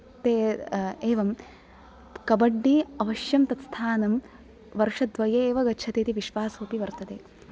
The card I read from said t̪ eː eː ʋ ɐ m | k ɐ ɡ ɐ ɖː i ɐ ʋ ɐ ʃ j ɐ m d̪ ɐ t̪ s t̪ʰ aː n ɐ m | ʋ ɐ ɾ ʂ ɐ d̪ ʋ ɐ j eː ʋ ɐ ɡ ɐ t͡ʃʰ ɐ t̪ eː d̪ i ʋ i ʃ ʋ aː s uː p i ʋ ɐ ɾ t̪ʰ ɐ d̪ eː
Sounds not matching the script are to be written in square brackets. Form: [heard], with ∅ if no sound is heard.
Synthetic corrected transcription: t̪ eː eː ʋ ɐ m | k ɐ [b] ɐ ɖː i ɐ ʋ ɐ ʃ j ɐ m [t̪] ɐ t̪ s t̪ʰ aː n ɐ m | ʋ ɐ ɾ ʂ ɐ d̪ ʋ ɐ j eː ʋ ɐ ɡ ɐ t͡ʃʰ ɐ t̪ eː [t̪] i ʋ i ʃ ʋ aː s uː p i ʋ ɐ ɾ [t̪] ɐ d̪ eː